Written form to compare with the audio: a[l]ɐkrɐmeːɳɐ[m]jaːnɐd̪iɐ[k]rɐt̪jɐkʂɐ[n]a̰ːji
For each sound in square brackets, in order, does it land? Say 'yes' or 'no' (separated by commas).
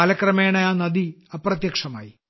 yes, no, no, no